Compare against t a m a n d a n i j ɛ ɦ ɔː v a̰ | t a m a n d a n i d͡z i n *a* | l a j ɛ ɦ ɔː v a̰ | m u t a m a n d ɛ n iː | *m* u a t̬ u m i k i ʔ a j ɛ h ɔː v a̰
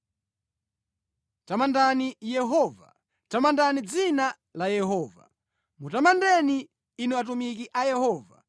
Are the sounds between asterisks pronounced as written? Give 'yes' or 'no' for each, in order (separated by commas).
yes, no